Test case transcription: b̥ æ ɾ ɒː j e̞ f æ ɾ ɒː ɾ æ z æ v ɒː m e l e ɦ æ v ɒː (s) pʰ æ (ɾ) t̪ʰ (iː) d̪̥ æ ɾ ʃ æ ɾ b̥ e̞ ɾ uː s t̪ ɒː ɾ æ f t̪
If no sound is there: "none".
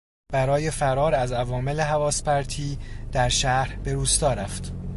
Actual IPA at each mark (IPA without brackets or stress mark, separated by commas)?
s, ɾ, iː